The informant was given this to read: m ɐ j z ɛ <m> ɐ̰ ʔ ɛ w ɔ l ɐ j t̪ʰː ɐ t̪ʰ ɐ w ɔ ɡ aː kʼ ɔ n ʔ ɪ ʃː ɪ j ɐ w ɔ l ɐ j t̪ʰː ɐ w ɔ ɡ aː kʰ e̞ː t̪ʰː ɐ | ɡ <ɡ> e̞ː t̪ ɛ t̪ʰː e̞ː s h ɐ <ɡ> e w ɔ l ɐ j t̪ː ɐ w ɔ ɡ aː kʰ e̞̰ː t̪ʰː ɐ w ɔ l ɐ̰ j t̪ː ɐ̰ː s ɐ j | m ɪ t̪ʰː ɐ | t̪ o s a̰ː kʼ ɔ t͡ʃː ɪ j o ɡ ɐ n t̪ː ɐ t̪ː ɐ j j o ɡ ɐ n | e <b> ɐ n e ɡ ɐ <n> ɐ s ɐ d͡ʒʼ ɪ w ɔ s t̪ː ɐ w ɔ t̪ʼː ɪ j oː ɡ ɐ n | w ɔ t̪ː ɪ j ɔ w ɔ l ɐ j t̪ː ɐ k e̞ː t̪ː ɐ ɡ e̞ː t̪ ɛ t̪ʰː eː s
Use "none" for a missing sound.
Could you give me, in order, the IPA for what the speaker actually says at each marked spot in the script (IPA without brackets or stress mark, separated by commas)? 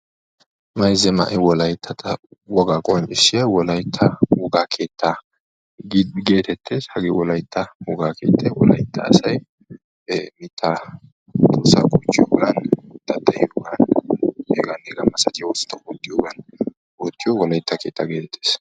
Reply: m, ɡ, ɡ, ɡ, m